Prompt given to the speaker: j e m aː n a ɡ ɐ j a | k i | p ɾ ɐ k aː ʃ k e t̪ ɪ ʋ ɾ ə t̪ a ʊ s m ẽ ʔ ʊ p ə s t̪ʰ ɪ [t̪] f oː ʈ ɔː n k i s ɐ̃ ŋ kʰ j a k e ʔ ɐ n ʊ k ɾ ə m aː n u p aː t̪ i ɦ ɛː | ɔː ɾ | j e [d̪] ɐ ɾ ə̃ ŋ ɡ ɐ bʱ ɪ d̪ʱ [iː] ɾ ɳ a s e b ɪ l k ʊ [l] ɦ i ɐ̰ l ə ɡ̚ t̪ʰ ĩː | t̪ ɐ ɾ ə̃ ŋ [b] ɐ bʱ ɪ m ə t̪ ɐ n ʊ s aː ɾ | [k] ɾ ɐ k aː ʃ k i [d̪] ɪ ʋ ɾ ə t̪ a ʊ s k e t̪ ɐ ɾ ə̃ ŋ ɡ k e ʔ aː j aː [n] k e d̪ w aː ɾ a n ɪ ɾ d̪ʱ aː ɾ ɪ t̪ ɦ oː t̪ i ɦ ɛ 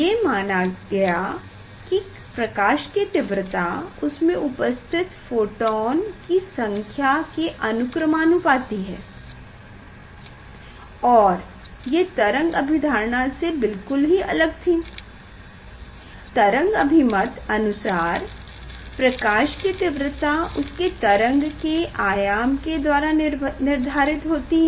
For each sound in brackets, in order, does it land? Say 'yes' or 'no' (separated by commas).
yes, no, no, yes, no, no, no, no